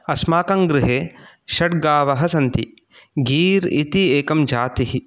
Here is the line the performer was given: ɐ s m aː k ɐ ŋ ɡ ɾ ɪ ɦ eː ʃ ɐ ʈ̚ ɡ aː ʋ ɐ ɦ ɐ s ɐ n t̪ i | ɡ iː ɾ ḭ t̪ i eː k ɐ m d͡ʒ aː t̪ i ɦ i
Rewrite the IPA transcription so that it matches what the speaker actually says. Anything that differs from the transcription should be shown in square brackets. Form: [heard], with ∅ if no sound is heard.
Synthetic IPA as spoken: ɐ s m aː k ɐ ŋ ɡ ɾ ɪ ɦ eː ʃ ɐ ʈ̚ ɡ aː ʋ ɐ ɦ ɐ s ɐ n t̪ i | ɡ iː ɾ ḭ t̪ i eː k ɐ m d͡ʒ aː t̪ i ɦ i